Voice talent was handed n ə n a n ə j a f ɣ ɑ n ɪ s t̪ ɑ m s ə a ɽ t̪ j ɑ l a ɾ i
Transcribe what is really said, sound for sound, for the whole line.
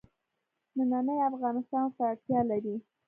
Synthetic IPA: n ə n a n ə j a f ɣ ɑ n ɪ s t̪ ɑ n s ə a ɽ t̪ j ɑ l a ɾ i